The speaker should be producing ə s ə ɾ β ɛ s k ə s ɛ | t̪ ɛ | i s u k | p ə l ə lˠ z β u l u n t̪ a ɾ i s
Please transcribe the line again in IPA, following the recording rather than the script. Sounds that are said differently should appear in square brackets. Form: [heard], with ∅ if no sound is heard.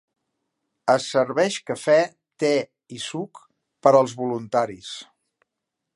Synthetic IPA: ə s ə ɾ β ɛ [ʃ] k ə [f] ɛ | t̪ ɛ | i s u k | p ə [ɾ] ə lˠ z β u l u n t̪ a ɾ i s